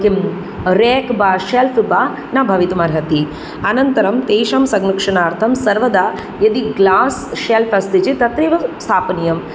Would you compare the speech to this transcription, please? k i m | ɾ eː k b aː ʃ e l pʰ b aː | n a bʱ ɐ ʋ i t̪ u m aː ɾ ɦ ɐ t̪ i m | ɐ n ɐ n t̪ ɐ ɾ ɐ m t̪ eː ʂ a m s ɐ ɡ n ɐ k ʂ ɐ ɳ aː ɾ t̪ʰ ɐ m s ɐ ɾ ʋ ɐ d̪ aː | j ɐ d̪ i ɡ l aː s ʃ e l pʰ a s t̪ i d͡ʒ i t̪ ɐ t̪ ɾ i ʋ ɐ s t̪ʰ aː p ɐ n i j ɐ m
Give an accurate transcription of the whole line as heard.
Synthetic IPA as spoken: k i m | ɾ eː k b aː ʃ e l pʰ b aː | n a bʱ ɐ ʋ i t̪ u m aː ɾ ɦ ɐ t̪ i | ɐ n ɐ n t̪ ɐ ɾ ɐ m t̪ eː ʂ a m s ɐ ɡ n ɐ k ʂ ɐ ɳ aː ɾ t̪ʰ ɐ m s ɐ ɾ ʋ ɐ d̪ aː | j ɐ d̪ i ɡ l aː s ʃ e l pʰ ɐ s t̪ i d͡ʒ i t̪ ɐ t̪ ɾ i ʋ ɐ s t̪ʰ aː p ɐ n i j ɐ m